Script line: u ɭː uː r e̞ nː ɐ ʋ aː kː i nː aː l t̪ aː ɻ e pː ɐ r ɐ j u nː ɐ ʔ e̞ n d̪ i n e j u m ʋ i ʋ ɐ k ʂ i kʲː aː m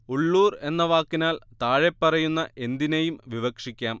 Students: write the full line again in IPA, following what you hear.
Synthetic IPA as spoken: u ɭː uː r e̞ nː ɐ ʋ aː kː i n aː l t̪ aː ɻ e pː ɐ r ɐ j u nː ɐ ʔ e̞ n d̪ i n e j u m ʋ i ʋ ɐ k ʂ i kʲː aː m